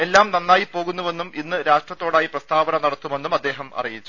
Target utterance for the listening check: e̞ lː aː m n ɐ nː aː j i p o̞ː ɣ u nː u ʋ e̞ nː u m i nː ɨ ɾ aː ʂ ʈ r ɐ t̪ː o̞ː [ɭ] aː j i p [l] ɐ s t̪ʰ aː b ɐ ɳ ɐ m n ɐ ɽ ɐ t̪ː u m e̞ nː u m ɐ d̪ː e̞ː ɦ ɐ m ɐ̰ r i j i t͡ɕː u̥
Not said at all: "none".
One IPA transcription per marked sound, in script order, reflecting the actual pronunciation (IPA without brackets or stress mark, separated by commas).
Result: ɽ, r